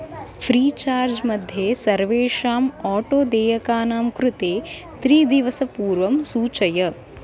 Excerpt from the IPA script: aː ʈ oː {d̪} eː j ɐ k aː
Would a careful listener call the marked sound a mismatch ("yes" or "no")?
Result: no